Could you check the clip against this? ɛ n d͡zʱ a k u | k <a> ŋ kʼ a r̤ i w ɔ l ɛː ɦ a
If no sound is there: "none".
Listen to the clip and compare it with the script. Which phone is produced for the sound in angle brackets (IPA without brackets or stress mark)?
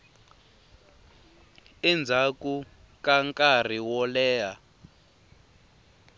a